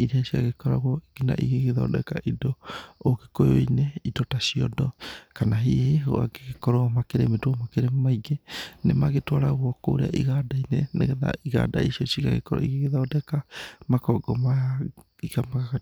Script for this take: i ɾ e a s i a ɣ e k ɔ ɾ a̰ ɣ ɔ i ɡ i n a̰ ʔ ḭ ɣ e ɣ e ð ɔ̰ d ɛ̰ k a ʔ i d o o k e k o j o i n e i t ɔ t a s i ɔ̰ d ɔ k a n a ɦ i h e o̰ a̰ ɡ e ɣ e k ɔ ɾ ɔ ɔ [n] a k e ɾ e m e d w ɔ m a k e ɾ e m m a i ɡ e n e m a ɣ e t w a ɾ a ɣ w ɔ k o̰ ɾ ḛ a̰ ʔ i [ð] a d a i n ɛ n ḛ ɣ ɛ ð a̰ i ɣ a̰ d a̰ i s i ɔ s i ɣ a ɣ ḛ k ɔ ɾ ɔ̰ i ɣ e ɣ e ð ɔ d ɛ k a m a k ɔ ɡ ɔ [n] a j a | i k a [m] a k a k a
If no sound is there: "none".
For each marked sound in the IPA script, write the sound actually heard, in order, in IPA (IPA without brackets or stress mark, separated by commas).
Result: m, ɣ, m, m